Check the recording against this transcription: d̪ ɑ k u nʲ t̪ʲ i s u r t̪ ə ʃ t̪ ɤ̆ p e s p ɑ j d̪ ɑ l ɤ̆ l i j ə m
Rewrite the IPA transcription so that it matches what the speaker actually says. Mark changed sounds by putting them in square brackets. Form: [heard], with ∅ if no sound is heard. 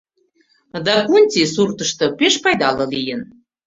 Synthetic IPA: d̪ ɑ k u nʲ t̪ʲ i s u r t̪ ə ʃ t̪ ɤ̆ p e [ʃ] p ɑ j d̪ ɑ l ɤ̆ l i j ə [n]